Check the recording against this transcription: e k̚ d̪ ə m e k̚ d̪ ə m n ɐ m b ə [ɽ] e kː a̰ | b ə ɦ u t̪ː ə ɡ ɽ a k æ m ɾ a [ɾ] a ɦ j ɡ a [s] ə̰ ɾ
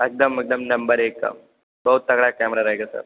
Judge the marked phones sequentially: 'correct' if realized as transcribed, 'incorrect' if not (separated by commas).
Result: incorrect, correct, correct